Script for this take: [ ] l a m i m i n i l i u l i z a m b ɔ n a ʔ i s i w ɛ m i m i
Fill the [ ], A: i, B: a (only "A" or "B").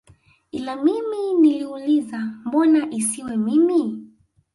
A